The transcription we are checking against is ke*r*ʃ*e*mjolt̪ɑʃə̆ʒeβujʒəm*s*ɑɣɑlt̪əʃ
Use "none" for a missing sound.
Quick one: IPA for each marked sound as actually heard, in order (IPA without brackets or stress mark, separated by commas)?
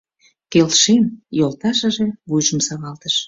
l, e, s